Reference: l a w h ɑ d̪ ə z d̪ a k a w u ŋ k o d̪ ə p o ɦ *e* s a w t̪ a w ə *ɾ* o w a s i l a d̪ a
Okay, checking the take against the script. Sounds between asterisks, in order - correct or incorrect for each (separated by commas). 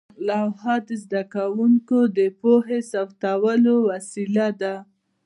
correct, incorrect